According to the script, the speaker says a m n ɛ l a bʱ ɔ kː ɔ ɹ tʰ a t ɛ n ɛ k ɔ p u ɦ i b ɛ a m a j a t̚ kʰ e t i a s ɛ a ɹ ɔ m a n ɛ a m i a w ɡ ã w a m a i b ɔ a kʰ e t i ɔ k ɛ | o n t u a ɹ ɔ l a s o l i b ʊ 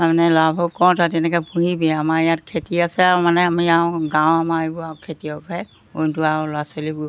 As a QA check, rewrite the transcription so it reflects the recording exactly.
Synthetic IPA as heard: a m n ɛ l a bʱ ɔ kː ɔ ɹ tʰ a t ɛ n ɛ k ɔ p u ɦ i b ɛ a m a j a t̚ kʰ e t i a s ɛ a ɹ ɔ m a n ɛ a m i a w ɡ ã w a m a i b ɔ a kʰ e t i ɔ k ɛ | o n t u a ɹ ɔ l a s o l i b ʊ